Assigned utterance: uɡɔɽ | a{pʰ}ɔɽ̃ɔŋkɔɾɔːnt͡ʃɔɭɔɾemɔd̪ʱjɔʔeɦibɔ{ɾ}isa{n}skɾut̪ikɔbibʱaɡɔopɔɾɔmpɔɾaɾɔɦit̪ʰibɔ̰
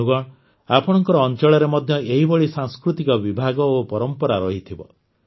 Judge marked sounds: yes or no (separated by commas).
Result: no, no, no